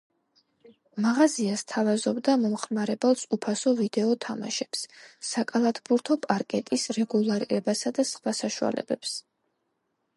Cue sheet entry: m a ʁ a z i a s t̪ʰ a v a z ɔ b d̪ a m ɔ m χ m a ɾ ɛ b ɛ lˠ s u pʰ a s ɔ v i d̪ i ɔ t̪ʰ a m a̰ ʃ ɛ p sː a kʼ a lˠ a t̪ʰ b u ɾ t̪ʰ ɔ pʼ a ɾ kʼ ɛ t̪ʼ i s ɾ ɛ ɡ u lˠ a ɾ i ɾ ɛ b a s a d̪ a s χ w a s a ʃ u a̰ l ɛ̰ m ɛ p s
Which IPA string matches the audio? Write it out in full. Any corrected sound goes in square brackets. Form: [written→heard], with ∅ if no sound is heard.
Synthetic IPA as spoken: m a ʁ a z i a s t̪ʰ a v a z ɔ b d̪ a m ɔ m χ m a ɾ ɛ b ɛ lˠ s u pʰ a s ɔ v i d̪ [i→ɛ] ɔ t̪ʰ a m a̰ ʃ ɛ p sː a kʼ a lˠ a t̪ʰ b u ɾ t̪ʰ ɔ pʼ a ɾ kʼ ɛ t̪ʼ i s ɾ ɛ ɡ u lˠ a ɾ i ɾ ɛ b a s a d̪ a s χ w a s a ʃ u a̰ l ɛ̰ [m→b] ɛ p s